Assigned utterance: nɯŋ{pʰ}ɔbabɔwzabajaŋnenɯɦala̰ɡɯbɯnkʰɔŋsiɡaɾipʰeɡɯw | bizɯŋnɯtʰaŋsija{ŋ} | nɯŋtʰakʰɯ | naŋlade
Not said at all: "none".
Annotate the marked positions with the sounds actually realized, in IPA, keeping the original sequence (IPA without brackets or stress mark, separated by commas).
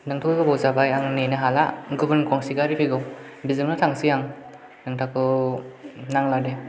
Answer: tʰ, ŋ